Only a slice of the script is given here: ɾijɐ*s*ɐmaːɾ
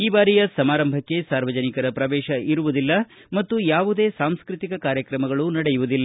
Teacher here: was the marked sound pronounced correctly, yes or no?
yes